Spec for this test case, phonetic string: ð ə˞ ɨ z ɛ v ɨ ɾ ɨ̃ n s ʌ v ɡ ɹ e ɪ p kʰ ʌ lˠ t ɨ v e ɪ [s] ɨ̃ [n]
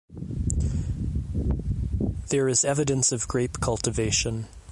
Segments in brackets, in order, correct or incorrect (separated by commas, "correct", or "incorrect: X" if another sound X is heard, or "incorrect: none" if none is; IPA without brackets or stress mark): incorrect: ʃ, correct